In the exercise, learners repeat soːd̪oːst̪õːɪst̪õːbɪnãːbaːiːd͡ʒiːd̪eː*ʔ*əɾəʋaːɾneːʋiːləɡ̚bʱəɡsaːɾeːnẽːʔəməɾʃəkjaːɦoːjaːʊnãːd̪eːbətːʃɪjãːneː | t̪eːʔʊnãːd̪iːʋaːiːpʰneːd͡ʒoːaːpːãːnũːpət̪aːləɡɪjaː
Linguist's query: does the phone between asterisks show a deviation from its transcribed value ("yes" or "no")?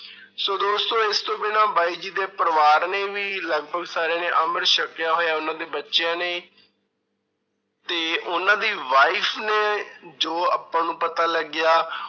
yes